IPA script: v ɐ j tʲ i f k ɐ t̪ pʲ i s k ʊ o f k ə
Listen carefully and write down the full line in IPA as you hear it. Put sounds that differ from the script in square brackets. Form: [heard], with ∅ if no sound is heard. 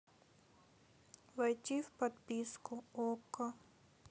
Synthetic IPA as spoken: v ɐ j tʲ i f [p] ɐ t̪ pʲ i s k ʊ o [∅] k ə